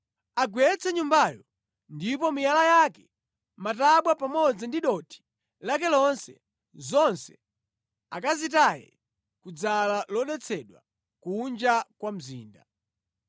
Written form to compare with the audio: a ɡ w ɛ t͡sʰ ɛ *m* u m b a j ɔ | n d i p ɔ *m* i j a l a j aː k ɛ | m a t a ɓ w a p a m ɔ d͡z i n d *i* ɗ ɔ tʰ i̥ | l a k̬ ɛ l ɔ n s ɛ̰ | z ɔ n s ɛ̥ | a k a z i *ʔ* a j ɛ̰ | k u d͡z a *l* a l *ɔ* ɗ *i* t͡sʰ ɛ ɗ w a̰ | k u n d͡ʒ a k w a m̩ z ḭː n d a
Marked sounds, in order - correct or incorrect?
incorrect: ɲ, correct, correct, incorrect: t, correct, correct, incorrect: ɛ

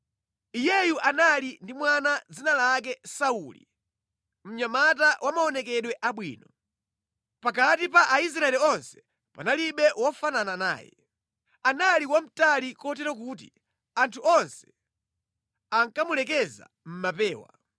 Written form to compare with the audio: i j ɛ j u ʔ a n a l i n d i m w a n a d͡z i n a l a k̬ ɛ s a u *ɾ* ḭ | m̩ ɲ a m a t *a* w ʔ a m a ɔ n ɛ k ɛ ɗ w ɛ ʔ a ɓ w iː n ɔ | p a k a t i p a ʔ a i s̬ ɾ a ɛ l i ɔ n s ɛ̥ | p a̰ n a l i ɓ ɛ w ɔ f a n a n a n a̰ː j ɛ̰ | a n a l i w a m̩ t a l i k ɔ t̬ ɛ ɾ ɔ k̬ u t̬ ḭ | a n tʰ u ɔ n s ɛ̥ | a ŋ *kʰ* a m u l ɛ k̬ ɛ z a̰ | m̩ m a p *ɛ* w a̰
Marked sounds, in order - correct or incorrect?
incorrect: l, correct, incorrect: k, incorrect: ɛː

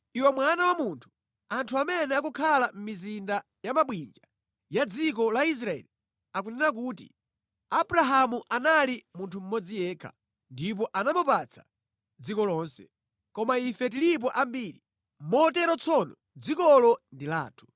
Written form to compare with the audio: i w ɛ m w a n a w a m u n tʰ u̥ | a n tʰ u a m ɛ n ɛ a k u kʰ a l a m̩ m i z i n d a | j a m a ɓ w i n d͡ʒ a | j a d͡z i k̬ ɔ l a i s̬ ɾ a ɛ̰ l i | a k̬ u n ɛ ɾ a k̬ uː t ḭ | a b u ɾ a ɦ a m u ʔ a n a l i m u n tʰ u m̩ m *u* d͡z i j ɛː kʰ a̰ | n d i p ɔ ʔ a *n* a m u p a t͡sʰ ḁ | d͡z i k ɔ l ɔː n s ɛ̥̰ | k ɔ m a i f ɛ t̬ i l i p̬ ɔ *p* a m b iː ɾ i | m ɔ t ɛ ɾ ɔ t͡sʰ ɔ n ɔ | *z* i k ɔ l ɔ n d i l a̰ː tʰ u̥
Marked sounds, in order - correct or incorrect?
incorrect: ɔ, correct, incorrect: ʔ, incorrect: d͡z

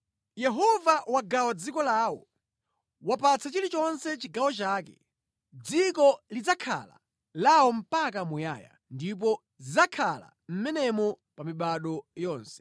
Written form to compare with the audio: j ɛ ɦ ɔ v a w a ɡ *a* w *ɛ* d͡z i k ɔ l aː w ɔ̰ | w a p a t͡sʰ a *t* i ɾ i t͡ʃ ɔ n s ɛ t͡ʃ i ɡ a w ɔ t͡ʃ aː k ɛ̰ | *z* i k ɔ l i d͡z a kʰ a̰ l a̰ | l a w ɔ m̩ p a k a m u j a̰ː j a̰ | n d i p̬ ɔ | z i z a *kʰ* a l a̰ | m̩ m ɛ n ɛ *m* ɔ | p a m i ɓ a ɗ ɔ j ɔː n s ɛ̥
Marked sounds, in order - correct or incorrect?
correct, incorrect: a, incorrect: t͡ʃ, incorrect: d͡z, correct, correct

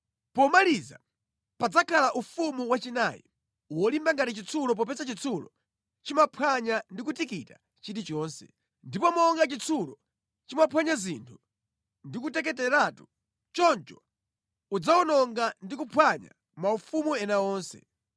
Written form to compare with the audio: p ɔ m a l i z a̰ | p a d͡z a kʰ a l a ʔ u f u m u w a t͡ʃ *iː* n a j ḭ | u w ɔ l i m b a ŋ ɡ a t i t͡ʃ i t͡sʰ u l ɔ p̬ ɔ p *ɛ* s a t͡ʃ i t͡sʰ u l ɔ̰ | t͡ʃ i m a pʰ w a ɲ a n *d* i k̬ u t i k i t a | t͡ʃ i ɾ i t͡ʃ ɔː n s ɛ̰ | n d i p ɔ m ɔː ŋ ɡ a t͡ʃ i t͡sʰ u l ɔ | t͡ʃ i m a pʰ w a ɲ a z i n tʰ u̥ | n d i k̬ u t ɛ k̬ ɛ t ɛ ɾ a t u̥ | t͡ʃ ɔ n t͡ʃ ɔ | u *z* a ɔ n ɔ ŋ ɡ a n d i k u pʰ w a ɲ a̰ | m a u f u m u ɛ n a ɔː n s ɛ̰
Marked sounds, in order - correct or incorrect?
incorrect: i, correct, correct, incorrect: d͡z

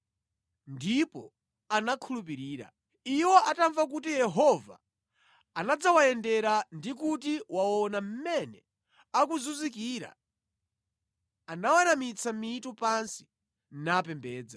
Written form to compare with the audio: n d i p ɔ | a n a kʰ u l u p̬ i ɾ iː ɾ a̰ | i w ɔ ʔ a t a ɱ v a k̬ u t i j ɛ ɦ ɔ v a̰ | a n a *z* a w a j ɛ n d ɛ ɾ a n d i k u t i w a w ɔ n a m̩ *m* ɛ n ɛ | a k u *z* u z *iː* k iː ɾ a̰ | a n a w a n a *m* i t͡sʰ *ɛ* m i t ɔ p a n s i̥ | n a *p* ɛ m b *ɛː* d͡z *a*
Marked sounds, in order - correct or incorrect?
incorrect: d͡z, correct, correct, incorrect: i, correct, incorrect: a, correct, correct, correct

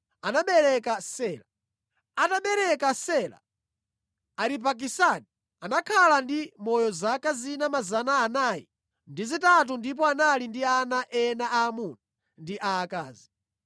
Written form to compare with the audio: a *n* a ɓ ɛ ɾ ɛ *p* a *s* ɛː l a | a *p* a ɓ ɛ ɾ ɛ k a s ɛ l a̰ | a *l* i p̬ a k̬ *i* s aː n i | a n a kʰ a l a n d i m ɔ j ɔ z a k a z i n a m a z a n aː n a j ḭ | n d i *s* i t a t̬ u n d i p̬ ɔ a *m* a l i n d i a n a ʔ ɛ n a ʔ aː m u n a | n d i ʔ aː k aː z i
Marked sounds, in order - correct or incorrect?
correct, incorrect: k, correct, incorrect: t, incorrect: ɾ, correct, incorrect: z, incorrect: n

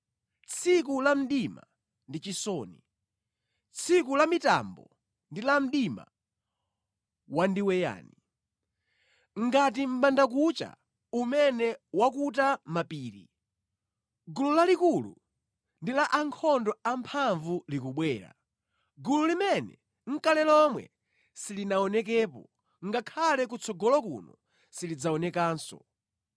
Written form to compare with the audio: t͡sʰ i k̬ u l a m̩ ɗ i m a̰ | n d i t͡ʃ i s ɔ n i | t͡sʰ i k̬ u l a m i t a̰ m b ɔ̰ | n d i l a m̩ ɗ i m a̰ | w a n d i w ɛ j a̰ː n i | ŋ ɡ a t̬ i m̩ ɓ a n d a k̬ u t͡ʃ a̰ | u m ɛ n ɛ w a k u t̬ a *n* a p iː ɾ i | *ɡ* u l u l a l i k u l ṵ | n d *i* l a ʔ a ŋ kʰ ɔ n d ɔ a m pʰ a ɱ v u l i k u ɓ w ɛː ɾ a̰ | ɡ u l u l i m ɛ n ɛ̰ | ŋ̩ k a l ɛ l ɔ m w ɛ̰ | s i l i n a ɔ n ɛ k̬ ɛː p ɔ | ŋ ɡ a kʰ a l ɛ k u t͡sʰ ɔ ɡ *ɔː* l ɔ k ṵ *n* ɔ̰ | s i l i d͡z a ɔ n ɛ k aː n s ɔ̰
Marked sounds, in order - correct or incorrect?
incorrect: m, correct, correct, incorrect: ɔ, correct

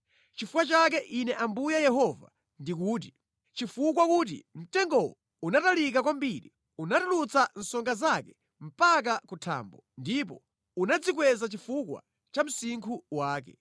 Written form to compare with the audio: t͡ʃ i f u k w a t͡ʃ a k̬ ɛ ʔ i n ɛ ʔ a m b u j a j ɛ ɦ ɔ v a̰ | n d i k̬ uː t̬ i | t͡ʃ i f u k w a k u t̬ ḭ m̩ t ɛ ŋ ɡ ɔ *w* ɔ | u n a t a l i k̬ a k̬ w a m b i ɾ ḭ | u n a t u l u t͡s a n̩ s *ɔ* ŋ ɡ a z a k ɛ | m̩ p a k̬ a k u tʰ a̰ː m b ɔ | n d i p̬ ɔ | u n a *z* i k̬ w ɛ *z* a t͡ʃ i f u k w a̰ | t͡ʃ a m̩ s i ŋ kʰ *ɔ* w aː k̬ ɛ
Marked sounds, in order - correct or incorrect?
correct, correct, incorrect: d͡z, correct, incorrect: u

